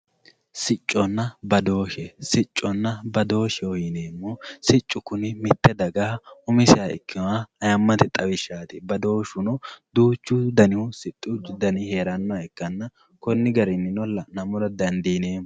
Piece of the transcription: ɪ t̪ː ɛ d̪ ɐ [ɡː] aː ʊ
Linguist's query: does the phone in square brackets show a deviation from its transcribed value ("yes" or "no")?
yes